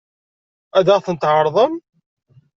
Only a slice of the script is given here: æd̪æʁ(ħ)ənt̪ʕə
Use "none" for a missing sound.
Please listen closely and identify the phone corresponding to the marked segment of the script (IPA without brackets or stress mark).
θ